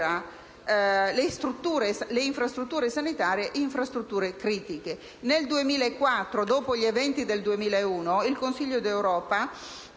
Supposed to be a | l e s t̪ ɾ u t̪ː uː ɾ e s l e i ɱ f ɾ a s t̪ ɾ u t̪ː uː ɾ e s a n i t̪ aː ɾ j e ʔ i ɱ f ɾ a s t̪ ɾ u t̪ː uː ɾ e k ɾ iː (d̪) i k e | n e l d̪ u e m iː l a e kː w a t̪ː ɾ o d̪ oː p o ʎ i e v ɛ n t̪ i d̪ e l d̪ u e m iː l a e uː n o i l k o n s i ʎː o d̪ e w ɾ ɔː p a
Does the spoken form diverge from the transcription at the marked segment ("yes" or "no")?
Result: yes